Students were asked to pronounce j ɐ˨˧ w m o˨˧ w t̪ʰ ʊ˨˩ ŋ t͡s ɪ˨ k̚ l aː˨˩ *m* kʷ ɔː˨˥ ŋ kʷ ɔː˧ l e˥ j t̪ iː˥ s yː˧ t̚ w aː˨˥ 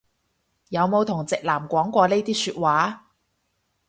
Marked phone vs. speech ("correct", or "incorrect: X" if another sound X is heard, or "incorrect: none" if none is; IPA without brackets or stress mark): correct